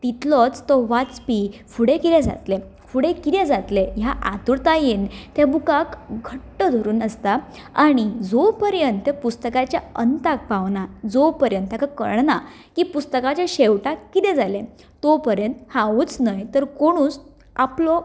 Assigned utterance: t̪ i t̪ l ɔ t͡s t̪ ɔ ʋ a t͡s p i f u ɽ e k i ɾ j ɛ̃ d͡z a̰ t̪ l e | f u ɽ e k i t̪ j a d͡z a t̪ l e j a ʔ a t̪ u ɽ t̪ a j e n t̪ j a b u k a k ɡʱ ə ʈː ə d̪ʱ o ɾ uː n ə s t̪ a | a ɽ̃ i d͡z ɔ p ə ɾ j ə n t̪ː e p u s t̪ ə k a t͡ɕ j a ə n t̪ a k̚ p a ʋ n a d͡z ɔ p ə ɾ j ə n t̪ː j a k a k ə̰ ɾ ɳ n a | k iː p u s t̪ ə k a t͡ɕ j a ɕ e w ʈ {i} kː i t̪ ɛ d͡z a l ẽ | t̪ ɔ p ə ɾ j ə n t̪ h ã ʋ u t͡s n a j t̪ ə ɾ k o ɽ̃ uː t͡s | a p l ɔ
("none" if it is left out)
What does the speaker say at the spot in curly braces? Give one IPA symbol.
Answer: a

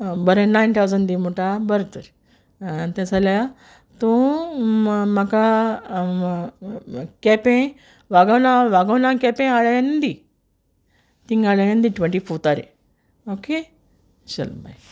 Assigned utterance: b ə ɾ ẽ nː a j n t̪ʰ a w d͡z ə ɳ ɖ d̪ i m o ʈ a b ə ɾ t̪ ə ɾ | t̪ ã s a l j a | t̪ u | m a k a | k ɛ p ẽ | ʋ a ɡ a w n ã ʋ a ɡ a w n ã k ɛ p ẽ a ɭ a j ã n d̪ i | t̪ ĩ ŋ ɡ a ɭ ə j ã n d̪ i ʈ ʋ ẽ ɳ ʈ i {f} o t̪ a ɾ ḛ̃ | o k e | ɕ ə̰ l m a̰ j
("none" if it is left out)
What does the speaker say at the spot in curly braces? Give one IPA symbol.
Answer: f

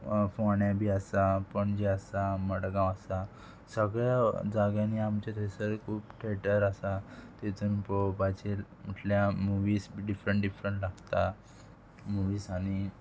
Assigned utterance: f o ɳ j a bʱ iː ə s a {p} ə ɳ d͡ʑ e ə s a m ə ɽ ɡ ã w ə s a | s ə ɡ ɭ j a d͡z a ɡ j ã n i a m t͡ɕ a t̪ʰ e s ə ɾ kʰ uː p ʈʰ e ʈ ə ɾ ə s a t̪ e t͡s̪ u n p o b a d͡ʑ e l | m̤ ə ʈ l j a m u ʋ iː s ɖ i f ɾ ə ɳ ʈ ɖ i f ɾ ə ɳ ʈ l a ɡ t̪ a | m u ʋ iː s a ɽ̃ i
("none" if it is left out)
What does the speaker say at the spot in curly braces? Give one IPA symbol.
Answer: p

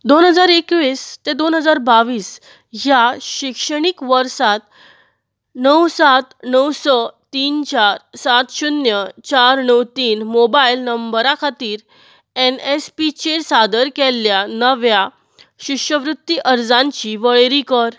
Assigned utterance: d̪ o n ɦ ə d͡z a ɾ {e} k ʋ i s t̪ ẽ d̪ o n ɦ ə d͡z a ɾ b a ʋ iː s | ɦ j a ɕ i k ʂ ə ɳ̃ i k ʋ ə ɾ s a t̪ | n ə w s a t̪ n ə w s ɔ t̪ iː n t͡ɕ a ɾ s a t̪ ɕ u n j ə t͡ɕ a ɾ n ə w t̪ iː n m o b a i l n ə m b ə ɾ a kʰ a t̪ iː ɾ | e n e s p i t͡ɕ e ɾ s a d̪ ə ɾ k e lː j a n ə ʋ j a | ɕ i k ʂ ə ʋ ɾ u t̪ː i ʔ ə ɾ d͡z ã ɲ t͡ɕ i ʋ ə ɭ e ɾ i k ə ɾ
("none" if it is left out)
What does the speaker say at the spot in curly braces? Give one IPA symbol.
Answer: e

